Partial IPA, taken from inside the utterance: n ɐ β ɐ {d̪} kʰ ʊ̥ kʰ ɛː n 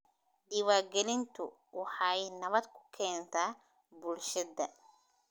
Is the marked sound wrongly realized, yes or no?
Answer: no